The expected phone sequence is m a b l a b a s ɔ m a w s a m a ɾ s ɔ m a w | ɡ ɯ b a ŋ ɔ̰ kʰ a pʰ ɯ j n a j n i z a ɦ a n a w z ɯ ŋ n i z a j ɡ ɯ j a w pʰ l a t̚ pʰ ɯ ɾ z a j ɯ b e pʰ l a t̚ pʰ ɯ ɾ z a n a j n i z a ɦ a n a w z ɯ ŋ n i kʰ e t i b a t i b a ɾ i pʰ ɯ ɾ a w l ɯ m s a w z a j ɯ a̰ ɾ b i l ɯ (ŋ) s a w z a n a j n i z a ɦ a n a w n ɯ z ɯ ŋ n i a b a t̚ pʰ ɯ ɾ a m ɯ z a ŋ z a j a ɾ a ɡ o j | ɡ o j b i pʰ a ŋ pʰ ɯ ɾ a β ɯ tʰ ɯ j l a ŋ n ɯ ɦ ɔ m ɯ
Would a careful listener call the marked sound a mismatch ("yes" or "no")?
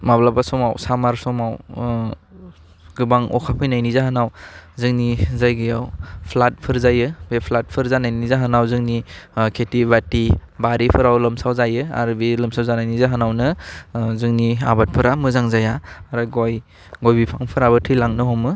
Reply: yes